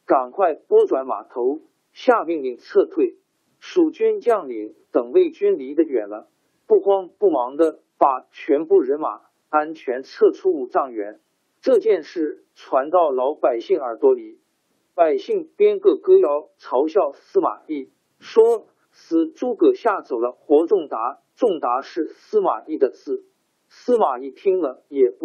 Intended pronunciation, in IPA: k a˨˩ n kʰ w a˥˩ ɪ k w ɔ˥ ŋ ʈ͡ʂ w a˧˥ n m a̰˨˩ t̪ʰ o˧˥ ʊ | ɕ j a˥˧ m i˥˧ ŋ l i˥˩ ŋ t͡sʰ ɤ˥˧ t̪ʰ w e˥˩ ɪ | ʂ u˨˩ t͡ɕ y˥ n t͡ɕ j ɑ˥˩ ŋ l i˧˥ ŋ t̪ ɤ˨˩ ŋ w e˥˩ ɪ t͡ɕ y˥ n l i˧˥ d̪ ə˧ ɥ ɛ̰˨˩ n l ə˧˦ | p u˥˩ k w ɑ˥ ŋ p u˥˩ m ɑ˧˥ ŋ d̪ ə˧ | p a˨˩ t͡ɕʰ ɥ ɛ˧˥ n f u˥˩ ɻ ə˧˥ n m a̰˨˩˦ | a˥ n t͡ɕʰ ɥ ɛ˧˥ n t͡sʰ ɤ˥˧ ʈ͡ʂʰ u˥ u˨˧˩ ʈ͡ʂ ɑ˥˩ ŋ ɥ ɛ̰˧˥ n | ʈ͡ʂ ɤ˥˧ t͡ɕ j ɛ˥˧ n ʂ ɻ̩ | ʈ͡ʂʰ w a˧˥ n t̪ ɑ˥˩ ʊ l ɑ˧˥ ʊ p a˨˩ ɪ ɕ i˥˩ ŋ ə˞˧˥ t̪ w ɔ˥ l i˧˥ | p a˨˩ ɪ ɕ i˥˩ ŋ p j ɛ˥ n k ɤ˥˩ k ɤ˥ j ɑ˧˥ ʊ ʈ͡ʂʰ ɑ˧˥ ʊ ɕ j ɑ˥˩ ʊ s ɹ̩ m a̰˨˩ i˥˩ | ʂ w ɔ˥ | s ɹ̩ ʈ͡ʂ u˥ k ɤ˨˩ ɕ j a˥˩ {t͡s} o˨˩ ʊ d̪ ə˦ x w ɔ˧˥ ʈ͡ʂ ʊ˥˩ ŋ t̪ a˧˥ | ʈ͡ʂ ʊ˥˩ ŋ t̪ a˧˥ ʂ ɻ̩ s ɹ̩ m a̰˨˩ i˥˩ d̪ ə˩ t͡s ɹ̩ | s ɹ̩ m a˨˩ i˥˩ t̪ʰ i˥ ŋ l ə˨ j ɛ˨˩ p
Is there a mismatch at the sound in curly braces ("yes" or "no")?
no